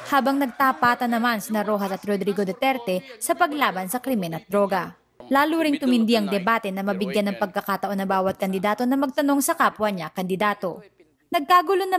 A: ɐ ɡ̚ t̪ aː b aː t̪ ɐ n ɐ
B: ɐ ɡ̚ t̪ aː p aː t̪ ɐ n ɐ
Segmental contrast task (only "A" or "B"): B